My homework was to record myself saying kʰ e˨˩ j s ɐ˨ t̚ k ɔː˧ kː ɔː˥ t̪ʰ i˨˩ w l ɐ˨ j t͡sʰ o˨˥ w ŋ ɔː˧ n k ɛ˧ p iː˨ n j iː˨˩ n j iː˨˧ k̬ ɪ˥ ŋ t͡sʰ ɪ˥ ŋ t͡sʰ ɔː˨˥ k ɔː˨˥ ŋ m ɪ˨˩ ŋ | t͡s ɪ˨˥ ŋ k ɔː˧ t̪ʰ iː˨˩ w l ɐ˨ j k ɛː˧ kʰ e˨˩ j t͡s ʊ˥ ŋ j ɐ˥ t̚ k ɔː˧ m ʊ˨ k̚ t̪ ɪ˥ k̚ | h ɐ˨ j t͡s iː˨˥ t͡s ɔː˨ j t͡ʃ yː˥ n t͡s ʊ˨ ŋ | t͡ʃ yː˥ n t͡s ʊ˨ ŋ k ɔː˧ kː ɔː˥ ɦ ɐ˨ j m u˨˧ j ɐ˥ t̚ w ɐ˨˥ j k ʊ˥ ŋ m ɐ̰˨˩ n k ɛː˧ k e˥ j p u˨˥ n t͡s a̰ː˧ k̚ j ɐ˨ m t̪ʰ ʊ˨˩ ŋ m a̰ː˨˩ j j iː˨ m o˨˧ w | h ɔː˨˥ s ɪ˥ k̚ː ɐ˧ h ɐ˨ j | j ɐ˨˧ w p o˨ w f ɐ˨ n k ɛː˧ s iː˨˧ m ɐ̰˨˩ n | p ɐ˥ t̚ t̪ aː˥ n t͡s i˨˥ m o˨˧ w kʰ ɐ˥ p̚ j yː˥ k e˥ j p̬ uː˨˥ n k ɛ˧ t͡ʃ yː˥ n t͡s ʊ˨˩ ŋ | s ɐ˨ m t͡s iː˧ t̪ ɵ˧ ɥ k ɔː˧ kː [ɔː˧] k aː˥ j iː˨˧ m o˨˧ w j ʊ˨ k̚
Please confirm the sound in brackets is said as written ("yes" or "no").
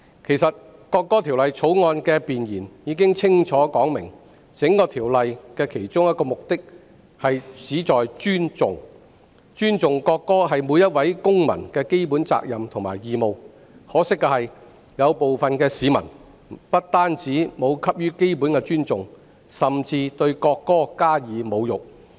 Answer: no